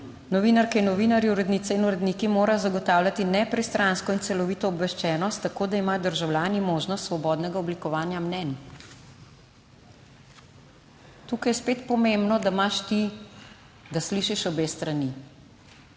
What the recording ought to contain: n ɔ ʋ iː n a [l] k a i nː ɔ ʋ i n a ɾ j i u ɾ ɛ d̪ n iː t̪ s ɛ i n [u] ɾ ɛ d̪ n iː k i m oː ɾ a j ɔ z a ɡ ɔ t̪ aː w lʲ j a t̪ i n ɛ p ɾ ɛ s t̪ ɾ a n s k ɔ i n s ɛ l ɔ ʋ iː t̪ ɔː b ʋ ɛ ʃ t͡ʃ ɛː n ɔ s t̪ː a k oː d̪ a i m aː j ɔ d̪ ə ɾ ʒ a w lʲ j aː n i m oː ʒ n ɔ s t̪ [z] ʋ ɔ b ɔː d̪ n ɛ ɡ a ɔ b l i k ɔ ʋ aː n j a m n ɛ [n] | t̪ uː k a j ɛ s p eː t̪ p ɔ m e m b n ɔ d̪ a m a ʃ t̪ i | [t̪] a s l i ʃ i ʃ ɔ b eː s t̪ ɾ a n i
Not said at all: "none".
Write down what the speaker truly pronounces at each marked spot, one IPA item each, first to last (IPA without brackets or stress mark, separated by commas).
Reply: ɾ, u, s, n, d̪